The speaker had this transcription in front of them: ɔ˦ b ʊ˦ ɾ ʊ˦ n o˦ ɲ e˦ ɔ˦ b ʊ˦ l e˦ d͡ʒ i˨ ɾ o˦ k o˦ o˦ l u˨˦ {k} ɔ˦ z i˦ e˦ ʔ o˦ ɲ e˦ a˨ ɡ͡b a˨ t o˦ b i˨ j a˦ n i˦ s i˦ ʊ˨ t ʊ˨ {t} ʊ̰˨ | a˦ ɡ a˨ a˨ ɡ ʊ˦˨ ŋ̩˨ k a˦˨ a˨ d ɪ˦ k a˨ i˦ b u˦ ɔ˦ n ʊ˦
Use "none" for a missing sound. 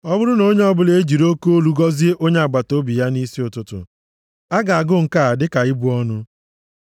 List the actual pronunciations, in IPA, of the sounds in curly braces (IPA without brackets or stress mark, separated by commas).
ɡ, t